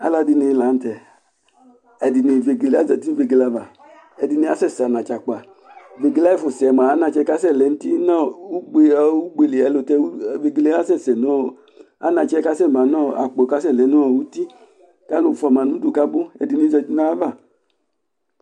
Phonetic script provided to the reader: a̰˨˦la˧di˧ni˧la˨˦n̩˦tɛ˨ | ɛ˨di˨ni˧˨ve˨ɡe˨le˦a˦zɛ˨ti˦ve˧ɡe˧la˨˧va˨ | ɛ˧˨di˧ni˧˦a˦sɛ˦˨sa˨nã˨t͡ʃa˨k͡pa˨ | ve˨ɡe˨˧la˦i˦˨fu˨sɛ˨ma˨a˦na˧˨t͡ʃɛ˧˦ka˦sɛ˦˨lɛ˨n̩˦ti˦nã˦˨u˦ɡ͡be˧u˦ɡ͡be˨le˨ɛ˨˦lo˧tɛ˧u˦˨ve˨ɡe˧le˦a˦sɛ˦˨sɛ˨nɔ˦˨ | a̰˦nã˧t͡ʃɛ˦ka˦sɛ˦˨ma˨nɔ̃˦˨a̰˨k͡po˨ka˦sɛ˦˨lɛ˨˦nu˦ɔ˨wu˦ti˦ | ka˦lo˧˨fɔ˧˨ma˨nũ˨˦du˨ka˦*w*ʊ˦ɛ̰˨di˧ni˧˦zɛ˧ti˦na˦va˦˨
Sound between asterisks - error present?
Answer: yes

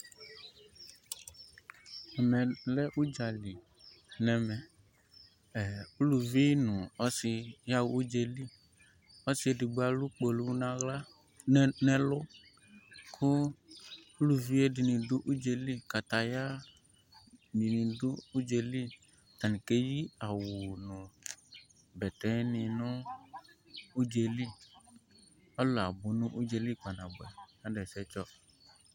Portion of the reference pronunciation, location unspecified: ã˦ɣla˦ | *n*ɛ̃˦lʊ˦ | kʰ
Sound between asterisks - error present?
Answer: no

